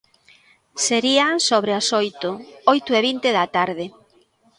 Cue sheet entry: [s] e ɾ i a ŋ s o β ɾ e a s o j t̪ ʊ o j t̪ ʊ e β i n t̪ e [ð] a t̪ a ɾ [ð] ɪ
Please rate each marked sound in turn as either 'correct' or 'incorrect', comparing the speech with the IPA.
correct, correct, correct

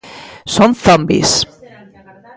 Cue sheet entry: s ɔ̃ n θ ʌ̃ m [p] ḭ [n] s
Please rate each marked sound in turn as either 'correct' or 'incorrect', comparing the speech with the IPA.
incorrect, incorrect

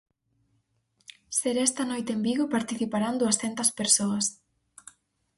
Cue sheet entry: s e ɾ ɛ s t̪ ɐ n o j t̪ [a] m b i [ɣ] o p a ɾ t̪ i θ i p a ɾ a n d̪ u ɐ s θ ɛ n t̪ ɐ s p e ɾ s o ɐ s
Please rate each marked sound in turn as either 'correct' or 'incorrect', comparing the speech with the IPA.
incorrect, correct

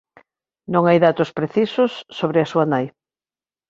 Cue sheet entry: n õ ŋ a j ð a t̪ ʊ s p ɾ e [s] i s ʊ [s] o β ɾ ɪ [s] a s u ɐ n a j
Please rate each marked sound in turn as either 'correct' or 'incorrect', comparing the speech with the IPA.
incorrect, incorrect, incorrect

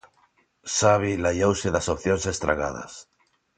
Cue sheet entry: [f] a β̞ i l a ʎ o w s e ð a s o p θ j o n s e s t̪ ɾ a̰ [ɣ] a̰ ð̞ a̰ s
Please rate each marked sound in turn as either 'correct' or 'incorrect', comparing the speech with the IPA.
incorrect, correct

